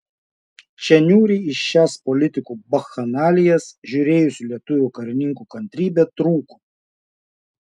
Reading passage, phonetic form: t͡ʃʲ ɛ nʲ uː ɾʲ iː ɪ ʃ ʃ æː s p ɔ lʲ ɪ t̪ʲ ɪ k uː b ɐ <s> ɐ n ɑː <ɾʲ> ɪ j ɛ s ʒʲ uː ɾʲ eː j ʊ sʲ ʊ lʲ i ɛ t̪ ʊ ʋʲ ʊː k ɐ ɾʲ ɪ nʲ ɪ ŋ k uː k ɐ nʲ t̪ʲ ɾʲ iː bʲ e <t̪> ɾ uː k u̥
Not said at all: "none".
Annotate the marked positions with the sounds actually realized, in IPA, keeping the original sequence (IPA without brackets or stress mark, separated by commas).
x, lʲ, t̪